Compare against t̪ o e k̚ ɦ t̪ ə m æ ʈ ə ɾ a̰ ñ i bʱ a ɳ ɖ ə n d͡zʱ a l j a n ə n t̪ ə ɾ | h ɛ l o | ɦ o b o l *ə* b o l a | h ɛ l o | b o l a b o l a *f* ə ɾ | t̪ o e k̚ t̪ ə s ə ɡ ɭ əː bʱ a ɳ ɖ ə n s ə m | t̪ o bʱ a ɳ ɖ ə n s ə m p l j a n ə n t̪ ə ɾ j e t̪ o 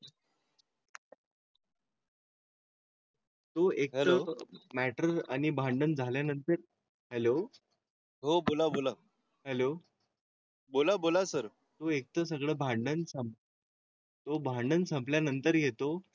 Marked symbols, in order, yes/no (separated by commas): no, no